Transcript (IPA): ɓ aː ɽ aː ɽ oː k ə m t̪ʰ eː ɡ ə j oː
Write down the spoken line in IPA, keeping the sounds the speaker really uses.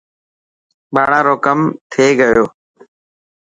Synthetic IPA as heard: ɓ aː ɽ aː ɾ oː k ə m t̪ʰ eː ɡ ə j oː